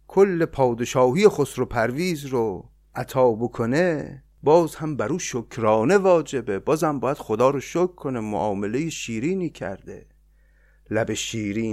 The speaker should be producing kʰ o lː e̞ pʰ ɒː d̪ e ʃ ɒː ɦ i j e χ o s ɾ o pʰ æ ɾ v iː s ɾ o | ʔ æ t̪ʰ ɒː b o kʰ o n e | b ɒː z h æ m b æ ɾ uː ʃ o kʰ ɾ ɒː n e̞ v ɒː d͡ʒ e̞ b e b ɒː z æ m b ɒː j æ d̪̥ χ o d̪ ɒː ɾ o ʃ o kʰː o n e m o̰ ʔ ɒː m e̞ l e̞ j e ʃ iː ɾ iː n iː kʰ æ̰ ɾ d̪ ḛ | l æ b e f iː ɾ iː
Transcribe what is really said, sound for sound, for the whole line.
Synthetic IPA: kʰ o lː e̞ pʰ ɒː d̪ e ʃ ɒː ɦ i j e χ o s ɾ o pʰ æ ɾ v iː z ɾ o | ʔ æ t̪ʰ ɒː b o kʰ o n e | b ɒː z h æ m b æ ɾ uː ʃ o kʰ ɾ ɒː n e̞ v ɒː d͡ʒ e̞ b e b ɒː z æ m b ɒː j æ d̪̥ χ o d̪ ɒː ɾ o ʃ o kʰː o n e m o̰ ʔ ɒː m e̞ l e̞ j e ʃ iː ɾ iː n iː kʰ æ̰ ɾ d̪ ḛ | l æ b e ʃ iː ɾ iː